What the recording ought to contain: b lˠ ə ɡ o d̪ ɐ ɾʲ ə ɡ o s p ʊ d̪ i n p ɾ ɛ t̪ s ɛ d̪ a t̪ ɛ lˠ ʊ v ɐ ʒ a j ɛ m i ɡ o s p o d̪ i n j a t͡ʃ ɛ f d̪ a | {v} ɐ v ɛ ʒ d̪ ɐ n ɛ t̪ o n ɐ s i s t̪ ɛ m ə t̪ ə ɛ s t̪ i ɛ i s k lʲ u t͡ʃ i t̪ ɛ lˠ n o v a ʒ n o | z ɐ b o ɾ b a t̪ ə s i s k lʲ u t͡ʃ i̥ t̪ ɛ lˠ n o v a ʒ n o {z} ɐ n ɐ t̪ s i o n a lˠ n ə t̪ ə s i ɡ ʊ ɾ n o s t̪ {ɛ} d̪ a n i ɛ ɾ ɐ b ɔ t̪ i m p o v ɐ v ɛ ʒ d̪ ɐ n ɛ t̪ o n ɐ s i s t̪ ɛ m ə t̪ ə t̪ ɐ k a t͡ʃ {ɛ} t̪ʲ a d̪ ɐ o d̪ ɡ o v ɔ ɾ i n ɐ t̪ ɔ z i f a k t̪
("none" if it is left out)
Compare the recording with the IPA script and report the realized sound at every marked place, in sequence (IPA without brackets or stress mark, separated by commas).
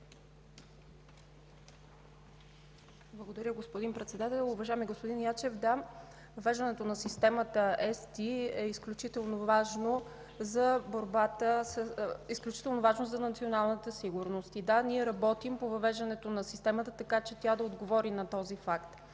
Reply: v, z, i, ɛ